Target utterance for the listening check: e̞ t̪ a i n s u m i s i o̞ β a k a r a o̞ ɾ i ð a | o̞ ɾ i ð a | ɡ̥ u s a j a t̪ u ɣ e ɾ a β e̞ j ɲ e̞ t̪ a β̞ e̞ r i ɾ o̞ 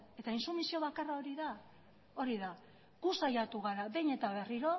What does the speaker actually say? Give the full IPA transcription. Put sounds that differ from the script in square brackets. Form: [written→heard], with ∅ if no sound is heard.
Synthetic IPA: e̞ t̪ a i n s u m i s i o̞ β a k a r a o̞ ɾ i ð a | o̞ ɾ i ð a | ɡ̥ u s a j a t̪ u ɣ [e→a] ɾ a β e̞ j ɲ e̞ t̪ a β̞ e̞ r i ɾ o̞